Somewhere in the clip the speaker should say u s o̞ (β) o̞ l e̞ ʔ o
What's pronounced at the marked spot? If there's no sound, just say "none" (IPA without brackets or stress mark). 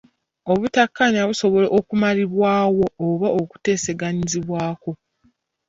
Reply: β